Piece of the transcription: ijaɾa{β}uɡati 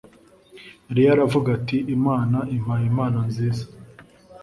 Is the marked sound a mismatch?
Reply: yes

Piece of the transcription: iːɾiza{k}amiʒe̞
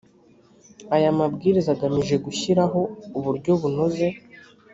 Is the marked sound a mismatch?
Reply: yes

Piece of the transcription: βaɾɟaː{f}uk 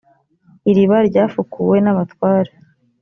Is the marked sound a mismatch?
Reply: no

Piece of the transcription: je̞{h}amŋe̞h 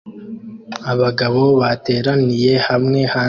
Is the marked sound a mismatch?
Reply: no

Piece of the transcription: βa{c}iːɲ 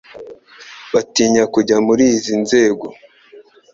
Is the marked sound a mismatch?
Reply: yes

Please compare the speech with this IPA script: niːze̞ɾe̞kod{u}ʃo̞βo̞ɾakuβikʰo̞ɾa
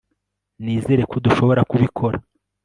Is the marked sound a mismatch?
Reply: no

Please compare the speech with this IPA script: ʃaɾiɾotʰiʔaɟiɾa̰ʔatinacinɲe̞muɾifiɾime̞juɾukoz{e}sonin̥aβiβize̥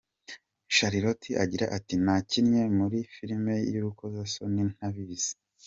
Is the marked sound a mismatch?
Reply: yes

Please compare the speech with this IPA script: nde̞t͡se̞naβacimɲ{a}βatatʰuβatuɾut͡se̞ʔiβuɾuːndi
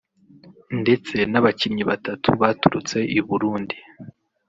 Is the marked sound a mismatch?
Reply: yes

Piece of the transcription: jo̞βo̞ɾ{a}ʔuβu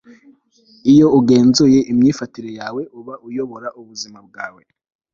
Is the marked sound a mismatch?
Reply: no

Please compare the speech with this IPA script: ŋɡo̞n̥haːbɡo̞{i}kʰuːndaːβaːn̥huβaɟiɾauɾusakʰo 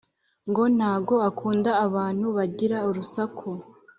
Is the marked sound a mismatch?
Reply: yes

